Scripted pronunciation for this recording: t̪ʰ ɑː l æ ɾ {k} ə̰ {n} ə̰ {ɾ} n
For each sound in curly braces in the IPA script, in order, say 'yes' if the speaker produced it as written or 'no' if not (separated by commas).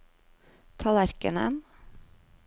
yes, yes, no